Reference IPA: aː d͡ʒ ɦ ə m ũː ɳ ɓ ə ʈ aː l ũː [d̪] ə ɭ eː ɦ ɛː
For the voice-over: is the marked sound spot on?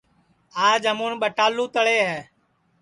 no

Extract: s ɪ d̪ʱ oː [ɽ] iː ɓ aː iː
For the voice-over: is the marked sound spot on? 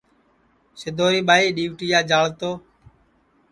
no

